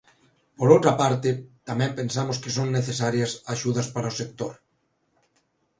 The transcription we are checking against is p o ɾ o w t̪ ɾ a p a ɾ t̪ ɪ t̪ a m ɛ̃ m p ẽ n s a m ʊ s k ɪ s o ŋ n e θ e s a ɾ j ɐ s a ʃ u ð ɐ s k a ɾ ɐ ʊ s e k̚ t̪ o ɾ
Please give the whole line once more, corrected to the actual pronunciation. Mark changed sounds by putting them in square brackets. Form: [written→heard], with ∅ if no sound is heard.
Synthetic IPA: p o ɾ o w t̪ ɾ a p a ɾ t̪ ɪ t̪ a m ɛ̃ m p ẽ n s a m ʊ s k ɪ s o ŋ n e θ e s a ɾ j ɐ s a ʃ u ð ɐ s [k→p] a ɾ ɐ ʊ s e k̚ t̪ o ɾ